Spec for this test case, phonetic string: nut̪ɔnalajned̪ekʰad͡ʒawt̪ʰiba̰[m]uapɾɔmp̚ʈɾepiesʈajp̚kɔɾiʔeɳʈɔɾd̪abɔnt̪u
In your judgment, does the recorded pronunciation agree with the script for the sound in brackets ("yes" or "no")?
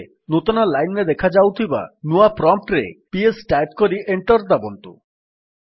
no